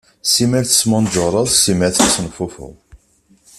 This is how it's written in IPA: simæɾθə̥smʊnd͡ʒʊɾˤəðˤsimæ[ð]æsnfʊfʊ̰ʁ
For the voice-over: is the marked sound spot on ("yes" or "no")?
no